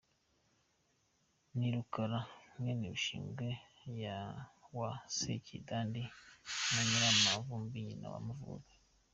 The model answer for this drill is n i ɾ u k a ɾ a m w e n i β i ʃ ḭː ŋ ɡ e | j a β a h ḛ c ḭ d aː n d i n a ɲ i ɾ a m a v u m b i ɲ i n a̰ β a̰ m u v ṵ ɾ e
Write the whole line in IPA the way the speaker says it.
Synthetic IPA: n i ɾ u k a ɾ a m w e n i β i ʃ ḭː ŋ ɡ e | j a w a s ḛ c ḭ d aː n d i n a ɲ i ɾ a m a v u m b i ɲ i n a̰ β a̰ m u v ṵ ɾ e